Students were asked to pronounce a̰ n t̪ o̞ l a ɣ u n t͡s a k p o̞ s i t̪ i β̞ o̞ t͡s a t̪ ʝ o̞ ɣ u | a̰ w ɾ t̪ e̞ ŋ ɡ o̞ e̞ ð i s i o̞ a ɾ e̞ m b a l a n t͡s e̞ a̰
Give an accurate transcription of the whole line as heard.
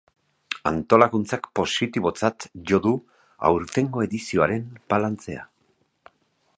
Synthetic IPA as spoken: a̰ n t̪ o̞ l a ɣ u n t͡s a k p o̞ s i t̪ i β̞ o̞ t͡s a t̪ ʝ o̞ ð u | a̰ w ɾ t̪ e̞ ŋ ɡ o̞ e̞ ð i s i o̞ a ɾ e̞ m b a l a n t͡s e̞ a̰